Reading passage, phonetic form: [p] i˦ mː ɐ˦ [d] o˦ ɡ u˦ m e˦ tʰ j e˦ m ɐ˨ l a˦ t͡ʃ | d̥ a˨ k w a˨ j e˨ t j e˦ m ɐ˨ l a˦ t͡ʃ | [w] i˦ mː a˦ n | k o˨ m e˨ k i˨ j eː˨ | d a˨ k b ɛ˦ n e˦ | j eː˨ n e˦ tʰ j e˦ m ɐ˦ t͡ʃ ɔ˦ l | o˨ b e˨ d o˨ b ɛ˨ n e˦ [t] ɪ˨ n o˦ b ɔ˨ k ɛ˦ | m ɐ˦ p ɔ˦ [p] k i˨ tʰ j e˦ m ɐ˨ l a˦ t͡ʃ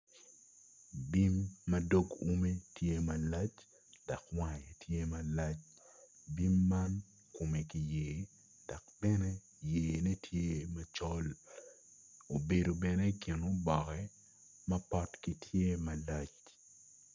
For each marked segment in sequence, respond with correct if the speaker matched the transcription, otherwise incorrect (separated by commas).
incorrect, correct, incorrect, incorrect, incorrect